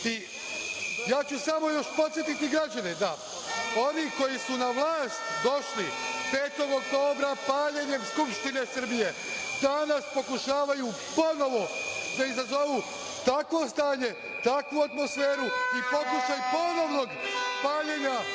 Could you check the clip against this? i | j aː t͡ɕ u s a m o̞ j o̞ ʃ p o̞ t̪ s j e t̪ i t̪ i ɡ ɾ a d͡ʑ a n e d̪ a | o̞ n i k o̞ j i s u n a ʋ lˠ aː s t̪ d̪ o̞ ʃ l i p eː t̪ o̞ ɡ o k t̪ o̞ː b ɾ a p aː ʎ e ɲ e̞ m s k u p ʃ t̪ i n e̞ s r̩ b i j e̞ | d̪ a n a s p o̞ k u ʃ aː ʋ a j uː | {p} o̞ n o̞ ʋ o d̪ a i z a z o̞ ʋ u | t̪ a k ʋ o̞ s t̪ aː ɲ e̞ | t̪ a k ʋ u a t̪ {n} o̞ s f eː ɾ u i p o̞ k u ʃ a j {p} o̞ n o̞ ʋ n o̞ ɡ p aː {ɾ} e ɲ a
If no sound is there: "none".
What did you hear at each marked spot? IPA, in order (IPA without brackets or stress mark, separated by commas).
p, m, p, ʎ